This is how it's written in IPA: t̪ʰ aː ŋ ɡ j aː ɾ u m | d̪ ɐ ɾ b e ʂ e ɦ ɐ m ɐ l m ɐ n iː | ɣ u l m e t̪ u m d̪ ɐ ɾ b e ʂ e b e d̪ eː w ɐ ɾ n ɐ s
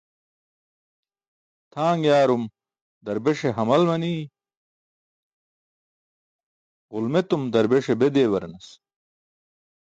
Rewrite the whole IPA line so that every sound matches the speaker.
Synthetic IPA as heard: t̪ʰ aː ŋ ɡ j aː ɾ u m | d̪ ɐ ɾ b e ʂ e ɦ ɐ m ɐ l m ɐ n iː | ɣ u l m e t̪ u m d̪ ɐ ɾ b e ʂ e b e d̪ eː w ɐ ɾ n ɐ s